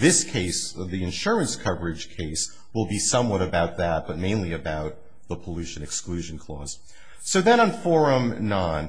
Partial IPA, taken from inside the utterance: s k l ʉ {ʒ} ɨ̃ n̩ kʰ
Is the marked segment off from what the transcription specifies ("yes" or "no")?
no